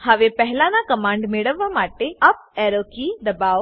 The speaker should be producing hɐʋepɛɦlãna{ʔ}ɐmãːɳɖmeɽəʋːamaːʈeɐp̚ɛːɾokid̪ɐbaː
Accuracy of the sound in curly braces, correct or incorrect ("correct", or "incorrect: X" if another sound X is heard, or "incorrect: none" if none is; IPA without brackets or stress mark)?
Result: incorrect: k